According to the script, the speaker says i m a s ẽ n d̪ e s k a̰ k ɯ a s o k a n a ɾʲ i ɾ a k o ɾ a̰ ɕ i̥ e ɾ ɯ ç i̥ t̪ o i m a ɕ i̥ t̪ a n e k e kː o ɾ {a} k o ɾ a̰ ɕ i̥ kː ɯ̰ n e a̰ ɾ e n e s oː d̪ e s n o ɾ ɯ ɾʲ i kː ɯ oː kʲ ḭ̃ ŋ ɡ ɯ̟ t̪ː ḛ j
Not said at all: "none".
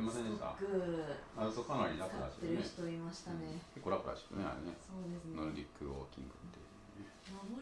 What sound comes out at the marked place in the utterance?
a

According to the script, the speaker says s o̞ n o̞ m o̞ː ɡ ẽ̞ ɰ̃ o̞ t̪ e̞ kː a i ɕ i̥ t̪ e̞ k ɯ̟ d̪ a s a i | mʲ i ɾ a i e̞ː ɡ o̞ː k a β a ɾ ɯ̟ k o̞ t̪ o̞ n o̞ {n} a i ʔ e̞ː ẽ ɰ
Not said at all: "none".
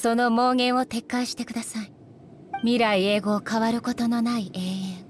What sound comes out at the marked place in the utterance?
n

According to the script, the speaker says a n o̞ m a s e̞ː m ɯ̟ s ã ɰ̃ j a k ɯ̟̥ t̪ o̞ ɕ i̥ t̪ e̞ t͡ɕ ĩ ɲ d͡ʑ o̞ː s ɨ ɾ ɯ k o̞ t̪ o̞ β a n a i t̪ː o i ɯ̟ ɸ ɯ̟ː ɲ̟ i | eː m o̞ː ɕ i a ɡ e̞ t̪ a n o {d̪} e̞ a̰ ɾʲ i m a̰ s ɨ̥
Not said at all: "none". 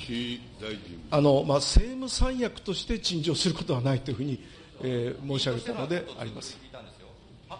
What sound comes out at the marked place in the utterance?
d̪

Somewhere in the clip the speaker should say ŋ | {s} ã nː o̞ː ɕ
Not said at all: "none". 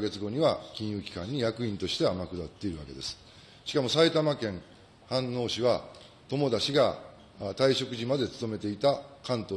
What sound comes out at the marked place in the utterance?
h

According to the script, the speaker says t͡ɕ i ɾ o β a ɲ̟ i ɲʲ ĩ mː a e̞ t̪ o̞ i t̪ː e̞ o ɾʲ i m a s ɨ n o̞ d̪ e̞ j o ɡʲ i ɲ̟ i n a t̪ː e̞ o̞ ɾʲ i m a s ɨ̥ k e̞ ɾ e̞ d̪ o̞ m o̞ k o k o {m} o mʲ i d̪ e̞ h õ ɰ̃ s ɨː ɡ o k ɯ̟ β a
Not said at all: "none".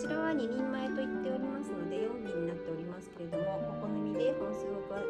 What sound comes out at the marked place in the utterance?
n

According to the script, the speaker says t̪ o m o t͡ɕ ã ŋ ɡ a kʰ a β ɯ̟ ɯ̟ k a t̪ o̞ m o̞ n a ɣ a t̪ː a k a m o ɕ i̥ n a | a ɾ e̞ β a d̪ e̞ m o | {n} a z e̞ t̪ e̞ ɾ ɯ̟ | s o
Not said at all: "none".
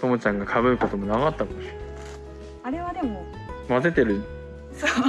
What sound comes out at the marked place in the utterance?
m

